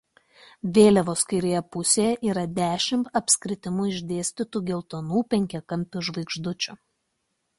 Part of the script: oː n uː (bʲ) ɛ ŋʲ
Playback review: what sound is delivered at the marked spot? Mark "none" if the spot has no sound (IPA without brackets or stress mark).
pʲ